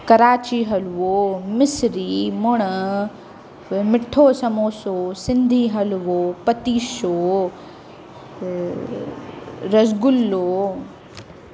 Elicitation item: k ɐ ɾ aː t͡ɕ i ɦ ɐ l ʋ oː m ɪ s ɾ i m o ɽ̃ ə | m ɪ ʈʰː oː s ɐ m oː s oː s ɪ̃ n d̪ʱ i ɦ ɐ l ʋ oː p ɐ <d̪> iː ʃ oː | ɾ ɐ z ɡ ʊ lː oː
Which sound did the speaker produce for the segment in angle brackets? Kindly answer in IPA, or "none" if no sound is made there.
t̪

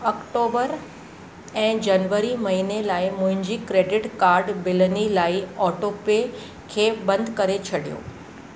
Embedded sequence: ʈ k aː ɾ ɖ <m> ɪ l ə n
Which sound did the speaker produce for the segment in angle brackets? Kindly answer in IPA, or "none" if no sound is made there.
b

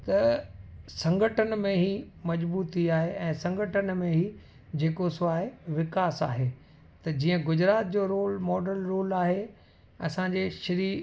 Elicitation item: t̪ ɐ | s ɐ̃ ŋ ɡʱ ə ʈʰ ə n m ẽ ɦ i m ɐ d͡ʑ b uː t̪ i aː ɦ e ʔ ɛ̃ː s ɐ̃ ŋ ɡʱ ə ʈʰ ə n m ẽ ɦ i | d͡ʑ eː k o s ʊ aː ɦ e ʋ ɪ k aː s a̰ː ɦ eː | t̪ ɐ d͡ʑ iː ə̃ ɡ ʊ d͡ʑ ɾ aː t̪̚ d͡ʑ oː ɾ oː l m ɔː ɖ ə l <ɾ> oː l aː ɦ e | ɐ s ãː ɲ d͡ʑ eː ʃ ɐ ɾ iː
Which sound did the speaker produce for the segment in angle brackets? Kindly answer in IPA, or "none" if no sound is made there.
ɾ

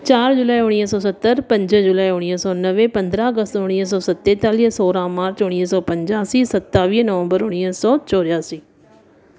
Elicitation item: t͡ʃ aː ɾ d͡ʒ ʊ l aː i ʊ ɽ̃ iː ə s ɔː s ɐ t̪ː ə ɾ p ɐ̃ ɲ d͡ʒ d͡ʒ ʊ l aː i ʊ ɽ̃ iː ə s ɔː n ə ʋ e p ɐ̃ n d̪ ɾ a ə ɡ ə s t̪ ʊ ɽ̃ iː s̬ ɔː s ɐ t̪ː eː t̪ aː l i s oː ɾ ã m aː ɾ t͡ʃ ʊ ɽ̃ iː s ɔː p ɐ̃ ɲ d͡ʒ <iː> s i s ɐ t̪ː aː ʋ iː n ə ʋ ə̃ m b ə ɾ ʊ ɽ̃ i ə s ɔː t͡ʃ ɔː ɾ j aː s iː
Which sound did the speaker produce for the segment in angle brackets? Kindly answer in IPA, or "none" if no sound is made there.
aː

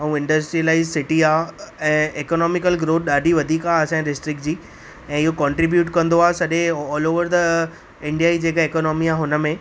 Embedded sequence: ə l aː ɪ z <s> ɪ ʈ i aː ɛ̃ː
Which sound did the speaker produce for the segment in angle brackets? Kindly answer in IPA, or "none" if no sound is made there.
s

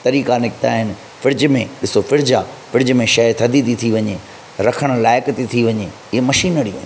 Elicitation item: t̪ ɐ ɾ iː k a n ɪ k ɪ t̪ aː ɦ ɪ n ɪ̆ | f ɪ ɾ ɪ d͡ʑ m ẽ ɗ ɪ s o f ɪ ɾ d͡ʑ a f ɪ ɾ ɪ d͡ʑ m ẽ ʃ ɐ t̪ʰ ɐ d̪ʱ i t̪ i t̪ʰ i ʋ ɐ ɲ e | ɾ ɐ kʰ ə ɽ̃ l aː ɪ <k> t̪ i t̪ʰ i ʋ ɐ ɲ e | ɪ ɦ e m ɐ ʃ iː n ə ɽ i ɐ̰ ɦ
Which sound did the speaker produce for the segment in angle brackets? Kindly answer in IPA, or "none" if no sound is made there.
k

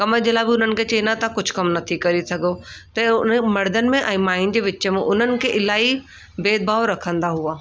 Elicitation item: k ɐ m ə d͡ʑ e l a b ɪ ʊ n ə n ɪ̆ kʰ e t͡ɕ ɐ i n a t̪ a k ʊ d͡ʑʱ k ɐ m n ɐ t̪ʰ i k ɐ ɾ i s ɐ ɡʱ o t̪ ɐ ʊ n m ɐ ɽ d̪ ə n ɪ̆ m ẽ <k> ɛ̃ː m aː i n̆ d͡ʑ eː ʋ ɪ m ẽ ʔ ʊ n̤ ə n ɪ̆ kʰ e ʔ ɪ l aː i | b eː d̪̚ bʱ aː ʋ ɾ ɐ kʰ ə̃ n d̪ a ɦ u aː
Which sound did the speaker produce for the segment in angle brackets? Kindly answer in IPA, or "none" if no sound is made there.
ʔ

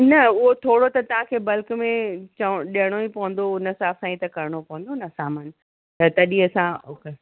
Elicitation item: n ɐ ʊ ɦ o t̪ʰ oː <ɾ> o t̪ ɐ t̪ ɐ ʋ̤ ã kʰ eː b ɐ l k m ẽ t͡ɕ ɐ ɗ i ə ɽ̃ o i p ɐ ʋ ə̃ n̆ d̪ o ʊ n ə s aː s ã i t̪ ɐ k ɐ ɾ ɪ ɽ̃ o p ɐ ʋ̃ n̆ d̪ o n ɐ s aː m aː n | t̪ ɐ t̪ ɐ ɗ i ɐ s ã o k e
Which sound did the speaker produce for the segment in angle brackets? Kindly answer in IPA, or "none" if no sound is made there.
ɽ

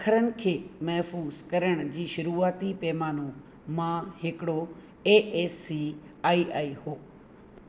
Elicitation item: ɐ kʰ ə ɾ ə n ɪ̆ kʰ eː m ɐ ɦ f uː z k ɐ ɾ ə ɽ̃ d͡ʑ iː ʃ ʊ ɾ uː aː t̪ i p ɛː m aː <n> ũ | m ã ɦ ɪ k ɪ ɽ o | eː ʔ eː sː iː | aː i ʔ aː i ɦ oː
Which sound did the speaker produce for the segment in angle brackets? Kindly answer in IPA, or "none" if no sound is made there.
n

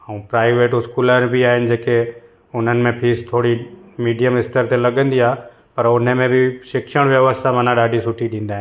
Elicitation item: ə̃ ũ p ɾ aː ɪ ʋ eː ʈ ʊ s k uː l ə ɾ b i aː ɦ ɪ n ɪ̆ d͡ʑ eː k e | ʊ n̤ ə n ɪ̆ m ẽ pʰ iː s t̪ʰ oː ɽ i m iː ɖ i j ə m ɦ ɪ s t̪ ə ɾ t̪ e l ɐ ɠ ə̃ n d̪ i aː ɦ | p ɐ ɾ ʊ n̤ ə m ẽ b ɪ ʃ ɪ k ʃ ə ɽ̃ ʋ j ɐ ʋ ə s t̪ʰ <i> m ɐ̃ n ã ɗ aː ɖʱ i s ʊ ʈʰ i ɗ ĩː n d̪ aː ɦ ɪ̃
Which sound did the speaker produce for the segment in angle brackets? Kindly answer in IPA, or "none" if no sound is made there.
a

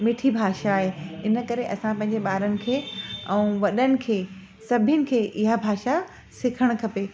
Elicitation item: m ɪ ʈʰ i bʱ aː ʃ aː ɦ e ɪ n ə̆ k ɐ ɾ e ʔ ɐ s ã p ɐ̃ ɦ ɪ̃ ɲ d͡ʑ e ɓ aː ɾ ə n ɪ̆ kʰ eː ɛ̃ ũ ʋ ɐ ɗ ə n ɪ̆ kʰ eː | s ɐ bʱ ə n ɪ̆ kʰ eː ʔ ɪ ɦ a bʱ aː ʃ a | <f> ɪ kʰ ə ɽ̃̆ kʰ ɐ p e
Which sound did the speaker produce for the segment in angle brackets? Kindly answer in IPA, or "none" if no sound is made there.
s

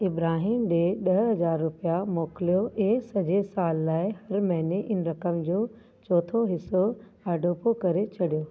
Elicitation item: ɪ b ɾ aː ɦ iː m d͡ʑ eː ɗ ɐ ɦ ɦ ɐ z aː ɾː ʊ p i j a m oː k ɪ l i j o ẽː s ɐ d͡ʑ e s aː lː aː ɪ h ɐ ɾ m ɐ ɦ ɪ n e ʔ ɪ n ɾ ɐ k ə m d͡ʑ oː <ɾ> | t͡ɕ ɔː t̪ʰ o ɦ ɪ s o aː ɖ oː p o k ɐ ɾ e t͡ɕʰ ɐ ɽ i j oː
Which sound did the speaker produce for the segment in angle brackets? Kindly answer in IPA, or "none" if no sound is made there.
none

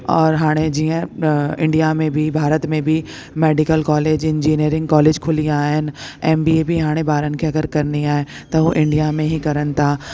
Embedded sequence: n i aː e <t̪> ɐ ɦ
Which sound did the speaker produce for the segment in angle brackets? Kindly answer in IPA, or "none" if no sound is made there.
t̪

